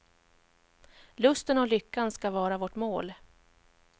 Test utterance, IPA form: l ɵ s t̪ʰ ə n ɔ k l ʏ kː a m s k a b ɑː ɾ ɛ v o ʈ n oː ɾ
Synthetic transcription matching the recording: l ɵ s t̪ ə n ɔ l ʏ kː a n s k a v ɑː ɾ a v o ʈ m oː l